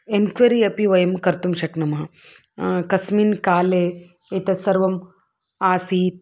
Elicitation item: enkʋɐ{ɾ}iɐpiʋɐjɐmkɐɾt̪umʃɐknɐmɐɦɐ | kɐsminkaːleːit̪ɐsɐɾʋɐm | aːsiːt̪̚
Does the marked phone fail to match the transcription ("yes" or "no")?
no